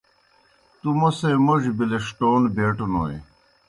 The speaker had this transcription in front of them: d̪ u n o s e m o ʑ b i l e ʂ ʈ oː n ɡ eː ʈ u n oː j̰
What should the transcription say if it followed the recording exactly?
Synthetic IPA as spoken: t̪ u m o s e m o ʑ b i l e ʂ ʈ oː n b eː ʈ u n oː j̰